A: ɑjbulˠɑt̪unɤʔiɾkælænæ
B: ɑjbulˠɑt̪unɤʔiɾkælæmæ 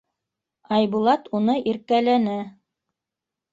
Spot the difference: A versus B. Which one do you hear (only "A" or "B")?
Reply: A